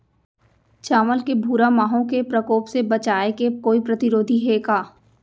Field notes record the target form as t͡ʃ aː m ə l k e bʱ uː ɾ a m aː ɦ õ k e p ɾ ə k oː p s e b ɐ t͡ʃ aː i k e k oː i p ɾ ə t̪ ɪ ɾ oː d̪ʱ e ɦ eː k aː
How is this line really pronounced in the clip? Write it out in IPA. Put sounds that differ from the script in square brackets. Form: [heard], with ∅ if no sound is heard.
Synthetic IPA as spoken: t͡ʃ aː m ə l k e bʱ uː ɾ a m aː ɦ õ k e p ɾ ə k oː p s e b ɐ t͡ʃ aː [e] k e k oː i p ɾ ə t̪ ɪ ɾ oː d̪ʱ [i] ɦ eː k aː